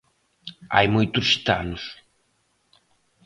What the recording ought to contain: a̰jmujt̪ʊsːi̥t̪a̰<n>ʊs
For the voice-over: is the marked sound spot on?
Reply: yes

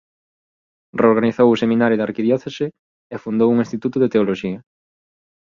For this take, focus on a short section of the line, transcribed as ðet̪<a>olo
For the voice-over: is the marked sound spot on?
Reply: no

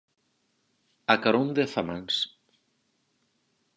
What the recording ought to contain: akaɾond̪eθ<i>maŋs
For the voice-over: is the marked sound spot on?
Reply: no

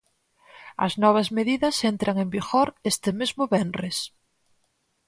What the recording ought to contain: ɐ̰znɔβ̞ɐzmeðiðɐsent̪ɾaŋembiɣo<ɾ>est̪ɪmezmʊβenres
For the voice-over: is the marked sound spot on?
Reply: yes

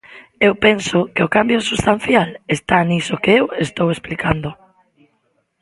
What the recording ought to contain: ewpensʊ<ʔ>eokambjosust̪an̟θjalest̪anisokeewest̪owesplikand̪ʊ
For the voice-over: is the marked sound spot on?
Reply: no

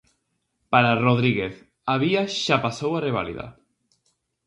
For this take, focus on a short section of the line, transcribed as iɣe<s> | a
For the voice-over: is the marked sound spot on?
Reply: no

